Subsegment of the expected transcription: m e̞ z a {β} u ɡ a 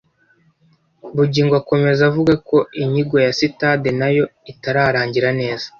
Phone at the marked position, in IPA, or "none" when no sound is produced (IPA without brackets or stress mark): v